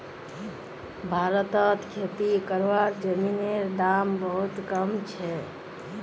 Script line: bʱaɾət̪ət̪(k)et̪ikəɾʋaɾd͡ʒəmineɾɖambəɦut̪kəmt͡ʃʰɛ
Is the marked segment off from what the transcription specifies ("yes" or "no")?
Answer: yes